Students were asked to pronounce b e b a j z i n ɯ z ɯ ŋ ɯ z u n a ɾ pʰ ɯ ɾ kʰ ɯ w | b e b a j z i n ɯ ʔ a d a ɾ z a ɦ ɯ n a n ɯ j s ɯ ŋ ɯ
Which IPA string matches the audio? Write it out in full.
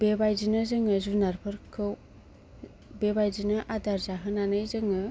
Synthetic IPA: b e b a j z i n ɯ z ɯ ŋ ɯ z u n a ɾ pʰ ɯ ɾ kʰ ɯ w | b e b a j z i n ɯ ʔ a d a ɾ z a ɦ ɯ n a n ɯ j z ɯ ŋ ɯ